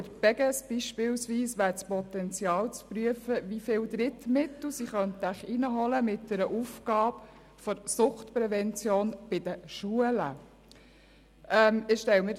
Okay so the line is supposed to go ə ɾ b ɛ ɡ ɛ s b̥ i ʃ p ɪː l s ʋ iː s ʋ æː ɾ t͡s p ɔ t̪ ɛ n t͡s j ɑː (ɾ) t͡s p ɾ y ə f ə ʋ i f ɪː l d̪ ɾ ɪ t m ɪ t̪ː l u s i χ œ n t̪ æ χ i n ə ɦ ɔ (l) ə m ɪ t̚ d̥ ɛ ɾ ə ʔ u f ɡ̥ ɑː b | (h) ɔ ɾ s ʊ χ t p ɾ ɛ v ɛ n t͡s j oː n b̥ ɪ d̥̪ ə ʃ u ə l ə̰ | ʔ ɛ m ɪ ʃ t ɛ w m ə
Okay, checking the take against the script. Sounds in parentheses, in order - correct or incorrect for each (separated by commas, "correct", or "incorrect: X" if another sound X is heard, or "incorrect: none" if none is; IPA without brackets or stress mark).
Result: incorrect: l, correct, incorrect: f